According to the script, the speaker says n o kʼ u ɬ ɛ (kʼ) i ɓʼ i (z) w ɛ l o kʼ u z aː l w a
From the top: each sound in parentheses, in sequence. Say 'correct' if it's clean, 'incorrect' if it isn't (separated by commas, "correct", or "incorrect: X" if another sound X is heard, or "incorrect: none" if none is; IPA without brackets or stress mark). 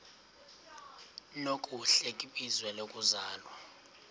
correct, correct